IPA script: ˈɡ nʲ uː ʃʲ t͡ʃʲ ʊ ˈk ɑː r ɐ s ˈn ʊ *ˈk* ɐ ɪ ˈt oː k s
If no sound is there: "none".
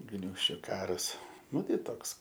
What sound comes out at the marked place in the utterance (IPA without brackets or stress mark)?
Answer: t